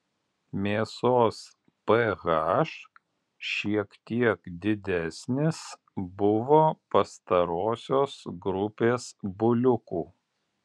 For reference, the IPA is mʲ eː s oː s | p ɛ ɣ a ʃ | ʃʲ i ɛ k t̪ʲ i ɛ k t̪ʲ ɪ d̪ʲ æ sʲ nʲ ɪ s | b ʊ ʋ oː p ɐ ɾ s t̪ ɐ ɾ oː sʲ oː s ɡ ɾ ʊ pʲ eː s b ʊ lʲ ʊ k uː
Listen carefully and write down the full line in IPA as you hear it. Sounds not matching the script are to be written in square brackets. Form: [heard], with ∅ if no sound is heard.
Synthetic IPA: mʲ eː s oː s | p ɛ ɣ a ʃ | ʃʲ i ɛ k t̪ʲ i ɛ k [d̪ʲ] ɪ d̪ʲ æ sʲ nʲ ɪ s | b ʊ ʋ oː p ɐ [∅] s t̪ ɐ ɾ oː sʲ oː s ɡ ɾ ʊ pʲ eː s b ʊ lʲ ʊ k uː

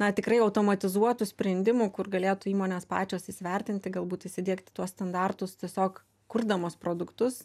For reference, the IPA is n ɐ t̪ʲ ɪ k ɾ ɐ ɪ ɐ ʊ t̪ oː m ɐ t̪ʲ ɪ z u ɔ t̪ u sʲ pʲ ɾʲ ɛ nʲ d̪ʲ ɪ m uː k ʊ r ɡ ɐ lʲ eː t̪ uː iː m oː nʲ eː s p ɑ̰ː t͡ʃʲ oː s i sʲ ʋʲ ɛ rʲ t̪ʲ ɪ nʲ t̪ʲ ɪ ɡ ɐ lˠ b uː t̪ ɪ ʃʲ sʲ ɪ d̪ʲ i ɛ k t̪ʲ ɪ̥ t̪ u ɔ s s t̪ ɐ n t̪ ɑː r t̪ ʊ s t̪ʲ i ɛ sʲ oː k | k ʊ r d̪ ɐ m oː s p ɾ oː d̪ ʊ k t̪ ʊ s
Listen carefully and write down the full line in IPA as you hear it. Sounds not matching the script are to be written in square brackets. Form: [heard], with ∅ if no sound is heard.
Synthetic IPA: n ɐ t̪ʲ ɪ k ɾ ɐ ɪ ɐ ʊ t̪ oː m ɐ t̪ʲ ɪ z u ɔ t̪ u sʲ pʲ ɾʲ ɛ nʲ d̪ʲ ɪ m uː k ʊ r ɡ ɐ lʲ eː t̪ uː iː m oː nʲ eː s p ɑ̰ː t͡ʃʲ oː s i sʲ ʋʲ ɛ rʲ t̪ʲ ɪ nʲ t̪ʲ ɪ ɡ ɐ lˠ b uː t̪ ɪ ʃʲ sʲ ɪ d̪ʲ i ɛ k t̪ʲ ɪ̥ t̪ u ɔ s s t̪ ɐ n [d̪] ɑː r t̪ ʊ s t̪ʲ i ɛ sʲ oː k | k ʊ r d̪ ɐ m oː s p ɾ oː d̪ ʊ k t̪ ʊ s

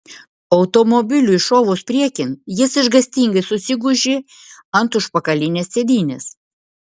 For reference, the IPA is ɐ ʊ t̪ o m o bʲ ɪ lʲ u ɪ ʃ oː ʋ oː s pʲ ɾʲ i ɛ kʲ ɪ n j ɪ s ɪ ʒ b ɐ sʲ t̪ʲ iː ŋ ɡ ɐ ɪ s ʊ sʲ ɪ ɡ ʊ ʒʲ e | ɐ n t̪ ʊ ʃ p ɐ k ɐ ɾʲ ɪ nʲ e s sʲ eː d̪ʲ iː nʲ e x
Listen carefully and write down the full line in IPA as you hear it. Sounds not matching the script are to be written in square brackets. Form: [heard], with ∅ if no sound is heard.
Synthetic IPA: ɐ ʊ t̪ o m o bʲ ɪ lʲ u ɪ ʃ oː ʋ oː s pʲ ɾʲ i ɛ kʲ ɪ n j ɪ s ɪ ʒ [ɡ] ɐ sʲ t̪ʲ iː ŋ ɡ ɐ ɪ s ʊ sʲ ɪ ɡ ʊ ʒʲ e | ɐ n t̪ ʊ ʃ p ɐ k ɐ [lʲ] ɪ nʲ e s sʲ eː d̪ʲ iː nʲ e [s]

